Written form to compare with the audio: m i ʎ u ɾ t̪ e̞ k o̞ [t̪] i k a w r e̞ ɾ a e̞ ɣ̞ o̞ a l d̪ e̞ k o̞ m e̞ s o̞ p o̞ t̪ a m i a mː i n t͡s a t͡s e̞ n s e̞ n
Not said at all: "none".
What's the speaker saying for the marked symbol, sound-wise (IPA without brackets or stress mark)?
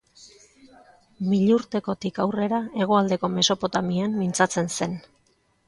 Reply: t̪